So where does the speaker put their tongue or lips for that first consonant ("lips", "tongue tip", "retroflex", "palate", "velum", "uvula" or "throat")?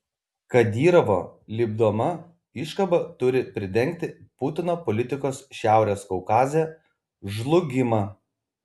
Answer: velum